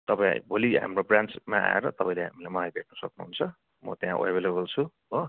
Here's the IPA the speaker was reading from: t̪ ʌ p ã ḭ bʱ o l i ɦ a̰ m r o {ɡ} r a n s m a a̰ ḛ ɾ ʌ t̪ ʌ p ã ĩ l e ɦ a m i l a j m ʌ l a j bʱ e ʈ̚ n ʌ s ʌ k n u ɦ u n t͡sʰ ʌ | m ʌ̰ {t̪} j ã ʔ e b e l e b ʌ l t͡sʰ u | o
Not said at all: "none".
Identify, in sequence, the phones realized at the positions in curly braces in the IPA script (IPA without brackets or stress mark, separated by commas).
b, t̪